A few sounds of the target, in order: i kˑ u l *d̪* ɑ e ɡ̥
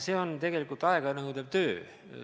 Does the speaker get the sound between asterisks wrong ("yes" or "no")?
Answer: yes